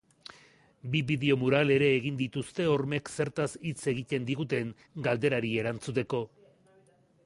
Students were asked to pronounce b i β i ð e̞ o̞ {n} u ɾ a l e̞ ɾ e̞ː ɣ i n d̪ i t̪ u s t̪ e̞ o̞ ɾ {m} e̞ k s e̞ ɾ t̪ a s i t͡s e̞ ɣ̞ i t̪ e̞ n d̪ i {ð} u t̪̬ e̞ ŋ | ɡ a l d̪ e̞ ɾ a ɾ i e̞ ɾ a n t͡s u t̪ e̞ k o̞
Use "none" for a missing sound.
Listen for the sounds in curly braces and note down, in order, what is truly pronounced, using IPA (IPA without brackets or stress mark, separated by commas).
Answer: m, m, ɣ